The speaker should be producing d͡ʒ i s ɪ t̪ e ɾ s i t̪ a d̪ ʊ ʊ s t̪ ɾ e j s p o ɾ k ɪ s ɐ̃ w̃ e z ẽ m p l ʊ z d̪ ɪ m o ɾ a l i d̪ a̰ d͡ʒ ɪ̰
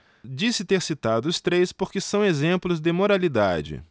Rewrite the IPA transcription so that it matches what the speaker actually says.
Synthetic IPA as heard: d͡ʒ i s ɪ t̪ e ɾ s i t̪ a d̪ ʊ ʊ s t̪ ɾ e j s p o ɾ k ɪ s ɐ̃ w̃ e z ẽ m p l ʊ z d̪ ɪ m o ɾ a l i d̪ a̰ d͡ʒ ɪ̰